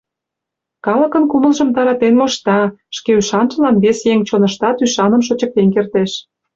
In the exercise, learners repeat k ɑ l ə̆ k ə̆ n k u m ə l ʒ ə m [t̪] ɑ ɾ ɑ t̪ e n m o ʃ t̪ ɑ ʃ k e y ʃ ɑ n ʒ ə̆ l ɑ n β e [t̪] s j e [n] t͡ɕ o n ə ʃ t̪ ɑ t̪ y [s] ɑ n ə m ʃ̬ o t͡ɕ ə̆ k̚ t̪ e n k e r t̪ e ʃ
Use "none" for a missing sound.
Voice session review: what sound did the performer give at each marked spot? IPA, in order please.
t̪, none, ŋ, ʃ

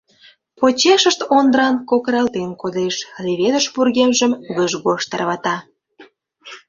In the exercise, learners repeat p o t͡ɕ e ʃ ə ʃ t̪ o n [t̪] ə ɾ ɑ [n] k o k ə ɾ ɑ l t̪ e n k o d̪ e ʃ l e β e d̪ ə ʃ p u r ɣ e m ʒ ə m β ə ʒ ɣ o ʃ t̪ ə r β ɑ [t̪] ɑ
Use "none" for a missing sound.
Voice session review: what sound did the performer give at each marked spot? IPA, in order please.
d̪, n, t̪

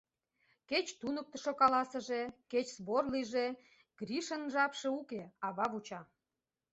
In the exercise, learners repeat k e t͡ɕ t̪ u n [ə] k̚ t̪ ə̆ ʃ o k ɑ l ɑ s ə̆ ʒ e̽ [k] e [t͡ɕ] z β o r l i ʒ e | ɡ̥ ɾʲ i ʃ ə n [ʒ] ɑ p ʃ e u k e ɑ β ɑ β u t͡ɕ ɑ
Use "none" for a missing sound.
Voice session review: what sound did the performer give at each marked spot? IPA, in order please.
ə, k, t͡ɕ, ʒ

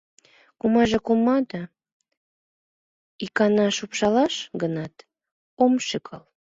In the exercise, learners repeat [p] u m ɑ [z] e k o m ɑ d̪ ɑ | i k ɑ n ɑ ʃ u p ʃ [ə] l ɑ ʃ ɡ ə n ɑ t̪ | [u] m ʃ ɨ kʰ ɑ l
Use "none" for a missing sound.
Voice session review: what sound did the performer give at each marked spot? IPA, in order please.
k, ʒ, ɑ, o

